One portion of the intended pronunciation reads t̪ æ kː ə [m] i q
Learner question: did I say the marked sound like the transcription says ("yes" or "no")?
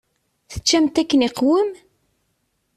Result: no